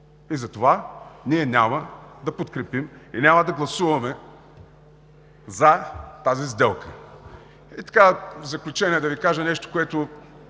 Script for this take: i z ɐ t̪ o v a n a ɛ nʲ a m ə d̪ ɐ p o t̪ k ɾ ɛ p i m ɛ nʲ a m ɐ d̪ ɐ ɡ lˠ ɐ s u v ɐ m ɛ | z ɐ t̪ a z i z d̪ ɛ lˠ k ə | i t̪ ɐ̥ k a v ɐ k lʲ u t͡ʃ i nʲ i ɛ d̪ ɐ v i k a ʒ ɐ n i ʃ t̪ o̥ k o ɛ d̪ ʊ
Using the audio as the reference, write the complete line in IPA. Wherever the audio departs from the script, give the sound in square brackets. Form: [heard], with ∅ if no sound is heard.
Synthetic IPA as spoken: i z ɐ t̪ o v a n [i] ɛ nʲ a m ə d̪ ɐ p o t̪ k ɾ ɛ p i m [i] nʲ a m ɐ d̪ ɐ ɡ lˠ ɐ s u v ɐ m ɛ | z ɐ t̪ a z i z d̪ ɛ lˠ k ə | i t̪ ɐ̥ k a [z] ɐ k lʲ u t͡ʃ [ɛ] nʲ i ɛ d̪ ɐ v i k a ʒ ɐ n [ɛ] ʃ t̪ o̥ k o ɛ [t̪] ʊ